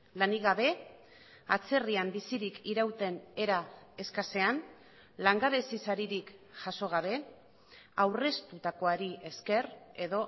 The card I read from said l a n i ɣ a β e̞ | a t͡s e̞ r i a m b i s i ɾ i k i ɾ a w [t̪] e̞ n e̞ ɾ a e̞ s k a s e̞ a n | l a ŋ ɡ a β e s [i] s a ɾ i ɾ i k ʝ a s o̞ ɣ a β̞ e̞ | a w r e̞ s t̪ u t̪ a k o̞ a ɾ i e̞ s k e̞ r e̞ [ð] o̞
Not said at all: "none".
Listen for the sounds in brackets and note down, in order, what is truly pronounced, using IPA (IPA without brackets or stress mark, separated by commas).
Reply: t̪, i, ð